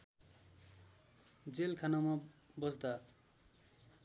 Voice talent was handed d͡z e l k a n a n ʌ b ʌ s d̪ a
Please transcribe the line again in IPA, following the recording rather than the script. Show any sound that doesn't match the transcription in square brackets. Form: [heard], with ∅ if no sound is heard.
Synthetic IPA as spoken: d͡z e l [kʰ] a n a [m] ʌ b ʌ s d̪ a